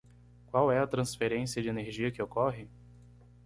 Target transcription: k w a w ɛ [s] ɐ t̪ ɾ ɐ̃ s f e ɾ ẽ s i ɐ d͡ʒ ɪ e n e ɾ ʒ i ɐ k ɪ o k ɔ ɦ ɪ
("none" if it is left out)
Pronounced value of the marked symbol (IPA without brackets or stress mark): none